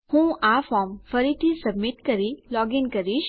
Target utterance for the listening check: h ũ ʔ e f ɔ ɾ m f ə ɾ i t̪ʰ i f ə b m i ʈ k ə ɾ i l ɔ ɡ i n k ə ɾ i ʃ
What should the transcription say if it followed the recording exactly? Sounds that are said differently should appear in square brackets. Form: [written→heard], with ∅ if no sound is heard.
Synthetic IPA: h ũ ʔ [e→a] f ɔ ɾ m f ə ɾ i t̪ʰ i [f→s] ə b m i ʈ k ə ɾ i l ɔ ɡ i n k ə ɾ i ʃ